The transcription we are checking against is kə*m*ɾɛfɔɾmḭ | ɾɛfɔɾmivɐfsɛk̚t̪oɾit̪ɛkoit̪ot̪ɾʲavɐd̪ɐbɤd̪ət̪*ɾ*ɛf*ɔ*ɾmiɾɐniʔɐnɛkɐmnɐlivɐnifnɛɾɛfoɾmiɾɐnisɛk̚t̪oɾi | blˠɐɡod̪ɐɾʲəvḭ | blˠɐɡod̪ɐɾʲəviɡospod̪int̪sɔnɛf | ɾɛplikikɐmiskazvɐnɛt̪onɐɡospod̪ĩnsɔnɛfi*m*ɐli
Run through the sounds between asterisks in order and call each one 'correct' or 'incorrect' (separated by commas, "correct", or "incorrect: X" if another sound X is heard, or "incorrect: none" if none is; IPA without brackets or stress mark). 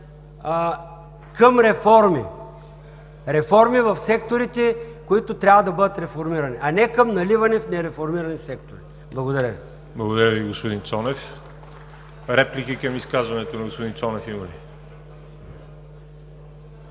correct, correct, incorrect: o, correct